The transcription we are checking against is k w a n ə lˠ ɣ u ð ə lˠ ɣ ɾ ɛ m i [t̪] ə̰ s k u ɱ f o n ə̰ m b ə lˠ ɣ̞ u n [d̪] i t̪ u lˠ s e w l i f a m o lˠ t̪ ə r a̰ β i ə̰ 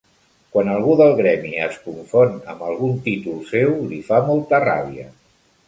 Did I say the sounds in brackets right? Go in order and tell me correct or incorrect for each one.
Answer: incorrect: none, incorrect: t̪

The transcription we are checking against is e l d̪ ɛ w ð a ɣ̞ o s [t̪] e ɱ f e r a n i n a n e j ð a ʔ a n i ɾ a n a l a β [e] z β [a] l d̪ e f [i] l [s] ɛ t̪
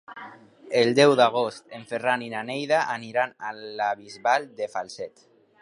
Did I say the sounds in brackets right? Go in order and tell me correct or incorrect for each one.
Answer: correct, incorrect: i, correct, incorrect: a, correct

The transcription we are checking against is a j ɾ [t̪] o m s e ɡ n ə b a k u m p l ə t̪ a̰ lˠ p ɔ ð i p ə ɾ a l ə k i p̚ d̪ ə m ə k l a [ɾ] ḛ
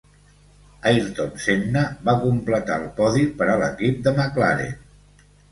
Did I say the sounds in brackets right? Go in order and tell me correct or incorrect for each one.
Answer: correct, correct

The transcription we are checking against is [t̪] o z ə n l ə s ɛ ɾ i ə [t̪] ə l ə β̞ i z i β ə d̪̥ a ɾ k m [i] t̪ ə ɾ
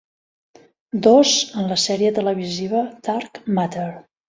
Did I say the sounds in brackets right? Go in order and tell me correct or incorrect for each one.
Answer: incorrect: d̪, correct, incorrect: a

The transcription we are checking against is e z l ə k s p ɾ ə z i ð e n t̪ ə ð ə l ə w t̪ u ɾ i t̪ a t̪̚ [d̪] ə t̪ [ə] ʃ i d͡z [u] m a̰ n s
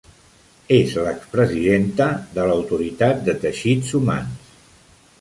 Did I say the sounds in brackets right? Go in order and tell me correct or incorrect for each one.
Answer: correct, correct, correct

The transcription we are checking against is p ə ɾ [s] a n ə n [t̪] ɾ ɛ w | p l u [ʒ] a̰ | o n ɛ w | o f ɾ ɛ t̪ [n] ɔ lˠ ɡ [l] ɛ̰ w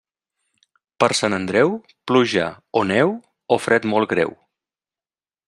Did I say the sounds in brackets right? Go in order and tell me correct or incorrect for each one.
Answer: correct, incorrect: d̪, correct, incorrect: m, incorrect: ɾ

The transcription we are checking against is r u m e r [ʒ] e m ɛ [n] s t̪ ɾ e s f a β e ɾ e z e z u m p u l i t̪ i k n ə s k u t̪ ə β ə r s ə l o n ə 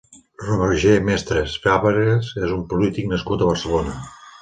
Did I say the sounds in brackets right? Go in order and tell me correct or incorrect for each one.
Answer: correct, incorrect: none

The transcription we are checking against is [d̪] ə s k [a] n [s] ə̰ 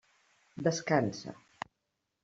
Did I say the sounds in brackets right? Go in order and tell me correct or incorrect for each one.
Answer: correct, correct, correct

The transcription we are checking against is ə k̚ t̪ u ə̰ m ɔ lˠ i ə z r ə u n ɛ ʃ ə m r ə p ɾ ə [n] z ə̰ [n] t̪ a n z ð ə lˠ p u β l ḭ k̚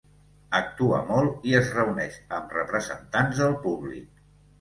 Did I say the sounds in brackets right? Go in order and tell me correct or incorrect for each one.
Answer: incorrect: none, correct

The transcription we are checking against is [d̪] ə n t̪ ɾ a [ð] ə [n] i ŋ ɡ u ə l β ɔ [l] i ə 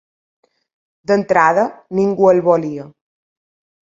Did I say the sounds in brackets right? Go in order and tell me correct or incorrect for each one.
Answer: correct, correct, correct, correct

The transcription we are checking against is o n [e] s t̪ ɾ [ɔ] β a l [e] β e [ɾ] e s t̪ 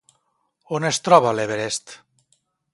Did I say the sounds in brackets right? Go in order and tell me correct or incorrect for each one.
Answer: correct, correct, correct, correct

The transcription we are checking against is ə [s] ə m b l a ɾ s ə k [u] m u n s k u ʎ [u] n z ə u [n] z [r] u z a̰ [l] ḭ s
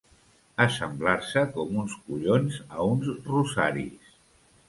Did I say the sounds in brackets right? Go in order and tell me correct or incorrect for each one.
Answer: correct, incorrect: ɔ, incorrect: o, correct, correct, incorrect: ɾ

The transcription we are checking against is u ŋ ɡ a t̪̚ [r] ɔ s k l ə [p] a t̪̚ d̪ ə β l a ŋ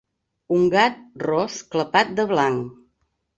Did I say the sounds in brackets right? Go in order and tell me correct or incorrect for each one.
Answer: correct, correct

